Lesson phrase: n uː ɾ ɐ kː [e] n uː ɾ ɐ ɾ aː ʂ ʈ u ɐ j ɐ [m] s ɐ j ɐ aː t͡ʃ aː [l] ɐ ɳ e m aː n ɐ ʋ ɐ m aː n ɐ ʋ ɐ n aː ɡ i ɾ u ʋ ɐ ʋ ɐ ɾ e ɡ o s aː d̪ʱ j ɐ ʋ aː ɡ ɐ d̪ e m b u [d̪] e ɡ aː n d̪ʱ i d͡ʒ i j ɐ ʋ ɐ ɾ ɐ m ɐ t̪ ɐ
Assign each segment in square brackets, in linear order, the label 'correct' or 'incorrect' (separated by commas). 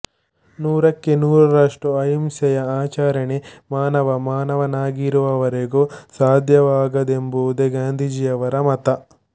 correct, correct, incorrect, correct